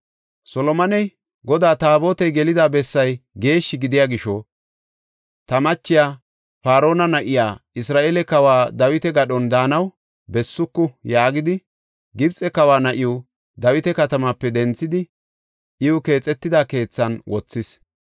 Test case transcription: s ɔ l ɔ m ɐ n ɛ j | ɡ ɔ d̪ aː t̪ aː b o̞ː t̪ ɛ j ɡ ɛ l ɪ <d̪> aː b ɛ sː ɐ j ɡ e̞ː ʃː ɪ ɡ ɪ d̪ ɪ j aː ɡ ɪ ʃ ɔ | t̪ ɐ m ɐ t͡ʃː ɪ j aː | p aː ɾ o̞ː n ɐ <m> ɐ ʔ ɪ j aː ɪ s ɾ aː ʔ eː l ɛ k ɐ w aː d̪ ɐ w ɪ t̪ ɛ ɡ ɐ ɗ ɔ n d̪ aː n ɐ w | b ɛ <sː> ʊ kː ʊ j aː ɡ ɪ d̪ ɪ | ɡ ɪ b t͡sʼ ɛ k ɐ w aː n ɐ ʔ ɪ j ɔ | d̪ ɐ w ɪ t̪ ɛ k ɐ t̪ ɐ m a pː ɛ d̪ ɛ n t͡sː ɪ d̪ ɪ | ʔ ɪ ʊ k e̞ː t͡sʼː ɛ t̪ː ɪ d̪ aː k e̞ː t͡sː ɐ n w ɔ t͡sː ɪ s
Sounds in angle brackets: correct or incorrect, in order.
correct, incorrect, correct

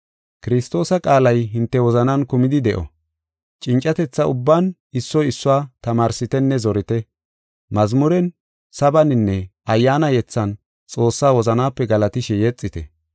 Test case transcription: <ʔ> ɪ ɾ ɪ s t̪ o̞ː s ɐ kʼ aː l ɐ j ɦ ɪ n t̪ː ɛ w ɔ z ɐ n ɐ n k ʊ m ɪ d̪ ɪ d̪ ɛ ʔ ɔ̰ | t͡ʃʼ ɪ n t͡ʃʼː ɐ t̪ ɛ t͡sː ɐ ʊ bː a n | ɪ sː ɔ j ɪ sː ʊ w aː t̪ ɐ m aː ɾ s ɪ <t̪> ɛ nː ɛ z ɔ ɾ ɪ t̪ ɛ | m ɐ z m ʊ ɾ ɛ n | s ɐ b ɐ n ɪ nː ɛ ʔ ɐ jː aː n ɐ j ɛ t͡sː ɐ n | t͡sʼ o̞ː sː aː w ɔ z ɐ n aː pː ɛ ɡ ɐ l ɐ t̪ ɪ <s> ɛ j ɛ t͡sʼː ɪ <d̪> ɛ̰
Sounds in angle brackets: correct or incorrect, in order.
incorrect, correct, incorrect, incorrect

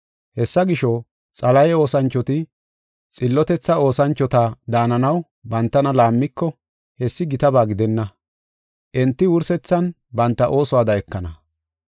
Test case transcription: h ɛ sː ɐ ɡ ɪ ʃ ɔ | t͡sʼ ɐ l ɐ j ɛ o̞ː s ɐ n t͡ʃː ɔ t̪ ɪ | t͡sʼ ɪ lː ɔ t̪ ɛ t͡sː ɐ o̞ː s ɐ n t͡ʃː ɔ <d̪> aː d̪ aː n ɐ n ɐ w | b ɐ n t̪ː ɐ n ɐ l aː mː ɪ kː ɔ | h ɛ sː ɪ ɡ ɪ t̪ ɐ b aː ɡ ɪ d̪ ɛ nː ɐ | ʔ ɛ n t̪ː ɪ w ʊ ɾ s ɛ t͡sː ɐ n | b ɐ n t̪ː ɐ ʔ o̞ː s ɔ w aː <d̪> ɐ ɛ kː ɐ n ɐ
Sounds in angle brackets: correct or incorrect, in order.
incorrect, correct

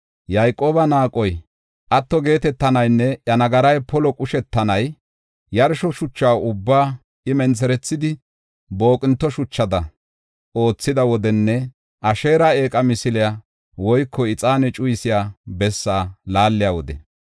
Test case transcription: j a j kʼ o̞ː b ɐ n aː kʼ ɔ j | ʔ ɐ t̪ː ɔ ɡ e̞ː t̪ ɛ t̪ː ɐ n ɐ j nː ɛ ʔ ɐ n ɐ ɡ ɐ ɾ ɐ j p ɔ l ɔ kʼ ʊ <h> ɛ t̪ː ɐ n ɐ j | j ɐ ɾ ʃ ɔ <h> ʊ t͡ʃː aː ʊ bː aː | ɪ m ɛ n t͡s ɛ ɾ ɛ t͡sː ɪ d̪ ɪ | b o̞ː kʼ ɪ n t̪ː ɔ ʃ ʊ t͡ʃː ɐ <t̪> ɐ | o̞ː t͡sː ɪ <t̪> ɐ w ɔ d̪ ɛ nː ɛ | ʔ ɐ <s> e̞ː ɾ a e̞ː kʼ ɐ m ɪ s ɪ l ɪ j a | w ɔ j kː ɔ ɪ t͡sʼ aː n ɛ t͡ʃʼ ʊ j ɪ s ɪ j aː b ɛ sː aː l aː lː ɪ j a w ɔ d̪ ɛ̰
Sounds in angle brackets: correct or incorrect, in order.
incorrect, incorrect, incorrect, incorrect, incorrect

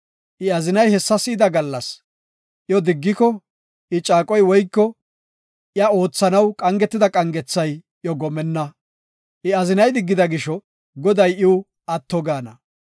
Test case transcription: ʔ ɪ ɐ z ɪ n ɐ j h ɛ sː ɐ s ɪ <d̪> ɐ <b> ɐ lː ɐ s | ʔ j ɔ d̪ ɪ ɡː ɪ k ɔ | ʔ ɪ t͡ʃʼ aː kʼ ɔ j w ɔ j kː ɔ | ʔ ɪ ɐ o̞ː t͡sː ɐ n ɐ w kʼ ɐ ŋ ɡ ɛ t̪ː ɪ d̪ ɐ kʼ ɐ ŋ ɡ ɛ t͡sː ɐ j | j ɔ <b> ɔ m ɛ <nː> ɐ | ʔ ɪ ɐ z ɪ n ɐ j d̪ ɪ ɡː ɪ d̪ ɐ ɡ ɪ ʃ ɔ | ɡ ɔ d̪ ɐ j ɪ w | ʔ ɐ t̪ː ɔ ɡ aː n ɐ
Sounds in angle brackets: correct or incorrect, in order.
correct, incorrect, incorrect, correct

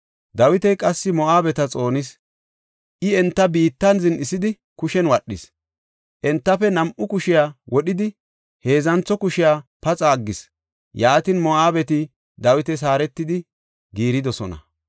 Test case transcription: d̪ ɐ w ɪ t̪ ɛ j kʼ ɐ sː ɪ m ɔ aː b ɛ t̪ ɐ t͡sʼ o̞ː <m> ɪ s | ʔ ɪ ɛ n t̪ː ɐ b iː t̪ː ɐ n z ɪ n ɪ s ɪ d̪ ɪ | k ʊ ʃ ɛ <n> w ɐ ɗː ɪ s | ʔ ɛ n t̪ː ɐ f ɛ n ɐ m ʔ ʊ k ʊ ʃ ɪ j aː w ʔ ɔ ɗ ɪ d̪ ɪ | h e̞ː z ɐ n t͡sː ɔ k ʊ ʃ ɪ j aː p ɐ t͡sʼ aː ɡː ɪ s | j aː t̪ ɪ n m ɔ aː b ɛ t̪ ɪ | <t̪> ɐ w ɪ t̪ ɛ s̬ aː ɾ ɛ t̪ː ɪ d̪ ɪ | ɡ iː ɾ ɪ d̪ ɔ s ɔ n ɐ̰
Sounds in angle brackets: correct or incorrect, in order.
incorrect, correct, incorrect

